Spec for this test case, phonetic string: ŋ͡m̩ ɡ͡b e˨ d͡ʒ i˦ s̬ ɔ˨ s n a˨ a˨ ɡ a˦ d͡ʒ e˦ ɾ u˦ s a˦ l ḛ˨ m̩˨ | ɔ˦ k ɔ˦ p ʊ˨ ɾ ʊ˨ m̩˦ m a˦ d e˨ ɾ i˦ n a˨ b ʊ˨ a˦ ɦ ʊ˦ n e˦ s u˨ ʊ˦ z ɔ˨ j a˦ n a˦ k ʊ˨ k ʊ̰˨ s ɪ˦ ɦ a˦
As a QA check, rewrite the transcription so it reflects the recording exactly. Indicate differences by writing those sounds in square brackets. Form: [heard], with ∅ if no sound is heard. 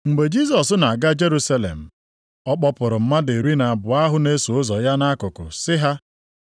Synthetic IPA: ŋ͡m̩ ɡ͡b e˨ d͡ʒ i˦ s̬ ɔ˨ s n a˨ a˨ ɡ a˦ d͡ʒ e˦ ɾ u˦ s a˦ l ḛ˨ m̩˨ | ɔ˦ [k͡p] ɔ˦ p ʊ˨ ɾ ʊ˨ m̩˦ m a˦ d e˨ ɾ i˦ n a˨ b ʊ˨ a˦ ɦ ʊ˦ n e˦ s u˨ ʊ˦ z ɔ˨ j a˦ n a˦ k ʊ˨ k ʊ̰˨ s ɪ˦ ɦ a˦